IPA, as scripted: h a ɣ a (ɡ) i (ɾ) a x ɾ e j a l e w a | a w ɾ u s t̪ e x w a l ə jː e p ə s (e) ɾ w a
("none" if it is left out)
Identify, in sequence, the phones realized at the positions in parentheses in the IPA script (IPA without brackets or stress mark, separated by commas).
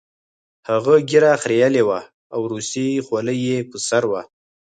ɡ, ɾ, a